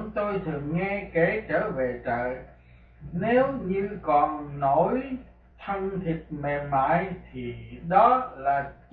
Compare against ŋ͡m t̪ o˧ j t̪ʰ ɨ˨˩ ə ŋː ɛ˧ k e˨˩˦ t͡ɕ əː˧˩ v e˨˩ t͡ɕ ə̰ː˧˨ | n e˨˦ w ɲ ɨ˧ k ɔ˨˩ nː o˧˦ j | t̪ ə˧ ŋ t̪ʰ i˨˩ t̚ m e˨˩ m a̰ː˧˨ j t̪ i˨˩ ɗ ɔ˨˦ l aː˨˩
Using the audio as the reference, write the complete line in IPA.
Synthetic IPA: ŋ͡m t̪ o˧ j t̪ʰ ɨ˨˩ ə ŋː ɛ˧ k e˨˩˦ t͡ɕ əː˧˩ v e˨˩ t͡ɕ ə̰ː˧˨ | n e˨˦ w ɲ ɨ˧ k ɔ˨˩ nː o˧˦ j | t̪ʰ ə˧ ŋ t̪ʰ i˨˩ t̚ m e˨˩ m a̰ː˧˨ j t̪ʰ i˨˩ ɗ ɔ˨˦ l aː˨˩